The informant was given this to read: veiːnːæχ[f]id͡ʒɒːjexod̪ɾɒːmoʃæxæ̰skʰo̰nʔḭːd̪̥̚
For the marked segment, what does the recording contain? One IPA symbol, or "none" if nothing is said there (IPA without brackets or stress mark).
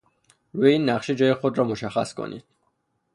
ʃ